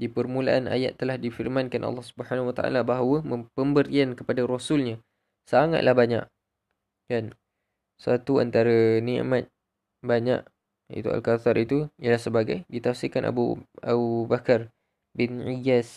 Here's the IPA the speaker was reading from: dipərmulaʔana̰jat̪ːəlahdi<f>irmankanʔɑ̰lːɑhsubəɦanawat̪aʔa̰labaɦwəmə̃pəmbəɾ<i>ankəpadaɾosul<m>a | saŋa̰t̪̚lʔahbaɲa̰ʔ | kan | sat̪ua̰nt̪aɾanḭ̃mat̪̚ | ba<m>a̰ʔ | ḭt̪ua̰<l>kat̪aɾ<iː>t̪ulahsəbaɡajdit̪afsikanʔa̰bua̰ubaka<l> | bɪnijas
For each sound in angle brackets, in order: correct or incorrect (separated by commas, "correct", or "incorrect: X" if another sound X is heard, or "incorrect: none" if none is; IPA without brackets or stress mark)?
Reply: correct, correct, incorrect: ɲ, incorrect: ɲ, correct, incorrect: i, incorrect: r